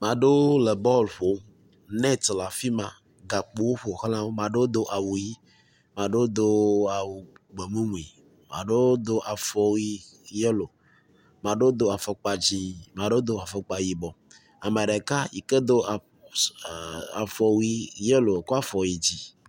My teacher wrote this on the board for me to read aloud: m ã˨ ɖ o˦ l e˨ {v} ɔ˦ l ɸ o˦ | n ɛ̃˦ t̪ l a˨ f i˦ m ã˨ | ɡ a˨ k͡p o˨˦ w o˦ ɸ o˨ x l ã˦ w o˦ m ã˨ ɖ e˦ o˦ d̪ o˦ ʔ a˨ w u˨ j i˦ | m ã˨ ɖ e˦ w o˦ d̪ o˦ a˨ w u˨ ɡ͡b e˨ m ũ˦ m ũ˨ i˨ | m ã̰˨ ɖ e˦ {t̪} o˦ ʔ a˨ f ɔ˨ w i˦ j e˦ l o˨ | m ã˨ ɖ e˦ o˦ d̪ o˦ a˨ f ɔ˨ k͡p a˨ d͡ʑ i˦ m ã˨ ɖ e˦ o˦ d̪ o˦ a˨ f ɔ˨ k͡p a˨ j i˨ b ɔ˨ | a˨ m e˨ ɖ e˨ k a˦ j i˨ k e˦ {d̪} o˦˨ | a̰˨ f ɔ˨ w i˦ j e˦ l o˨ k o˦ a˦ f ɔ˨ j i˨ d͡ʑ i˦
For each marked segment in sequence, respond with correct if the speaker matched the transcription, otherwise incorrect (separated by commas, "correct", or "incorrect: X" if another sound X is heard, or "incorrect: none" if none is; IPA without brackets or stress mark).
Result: incorrect: b, incorrect: d̪, correct